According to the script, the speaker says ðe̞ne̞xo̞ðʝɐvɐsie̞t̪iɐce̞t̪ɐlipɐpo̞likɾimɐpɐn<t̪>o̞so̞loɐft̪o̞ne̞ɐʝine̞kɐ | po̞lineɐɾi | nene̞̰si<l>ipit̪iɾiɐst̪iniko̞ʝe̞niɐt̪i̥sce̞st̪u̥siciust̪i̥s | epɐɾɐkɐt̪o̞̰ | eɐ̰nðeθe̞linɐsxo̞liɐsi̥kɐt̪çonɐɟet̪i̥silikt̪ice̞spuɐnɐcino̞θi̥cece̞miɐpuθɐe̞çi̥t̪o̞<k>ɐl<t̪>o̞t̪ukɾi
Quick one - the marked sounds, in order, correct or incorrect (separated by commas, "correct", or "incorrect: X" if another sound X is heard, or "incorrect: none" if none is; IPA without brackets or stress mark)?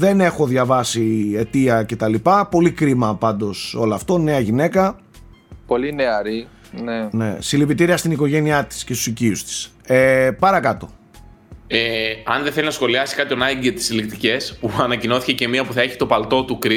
incorrect: d̪, correct, incorrect: p, correct